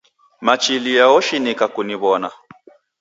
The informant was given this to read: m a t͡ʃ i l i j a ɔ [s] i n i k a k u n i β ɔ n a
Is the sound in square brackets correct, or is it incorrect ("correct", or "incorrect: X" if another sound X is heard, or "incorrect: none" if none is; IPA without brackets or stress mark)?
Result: incorrect: ʃ